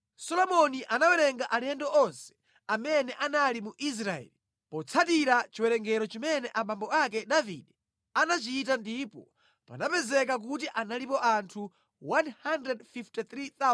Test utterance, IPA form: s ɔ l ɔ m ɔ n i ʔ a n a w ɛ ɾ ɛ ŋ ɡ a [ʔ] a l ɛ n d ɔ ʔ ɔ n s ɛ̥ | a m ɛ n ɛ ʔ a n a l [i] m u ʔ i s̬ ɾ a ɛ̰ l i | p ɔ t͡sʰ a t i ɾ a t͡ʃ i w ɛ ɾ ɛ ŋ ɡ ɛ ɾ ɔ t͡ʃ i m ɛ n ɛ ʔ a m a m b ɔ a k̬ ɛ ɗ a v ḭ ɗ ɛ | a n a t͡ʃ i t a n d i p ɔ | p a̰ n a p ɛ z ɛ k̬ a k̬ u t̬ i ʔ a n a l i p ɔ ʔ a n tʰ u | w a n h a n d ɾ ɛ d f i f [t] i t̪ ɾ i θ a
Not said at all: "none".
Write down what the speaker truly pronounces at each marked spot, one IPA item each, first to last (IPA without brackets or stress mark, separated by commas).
ʔ, i, t